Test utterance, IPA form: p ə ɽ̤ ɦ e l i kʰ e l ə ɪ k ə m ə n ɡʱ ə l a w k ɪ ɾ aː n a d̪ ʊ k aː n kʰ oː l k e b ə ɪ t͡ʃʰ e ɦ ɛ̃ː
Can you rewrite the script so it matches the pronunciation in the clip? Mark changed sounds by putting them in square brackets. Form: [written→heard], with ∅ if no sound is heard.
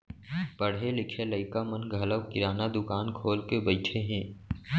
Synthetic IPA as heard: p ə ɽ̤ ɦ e l [i→ɪ] kʰ e l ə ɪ k [ə→a] m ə n ɡʱ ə l [a→ə] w k ɪ ɾ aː n a d̪ ʊ k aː n kʰ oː l k e b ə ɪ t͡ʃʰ e ɦ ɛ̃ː